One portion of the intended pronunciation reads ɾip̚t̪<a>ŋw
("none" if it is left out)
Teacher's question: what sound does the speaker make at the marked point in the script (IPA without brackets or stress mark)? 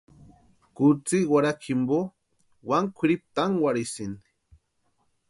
a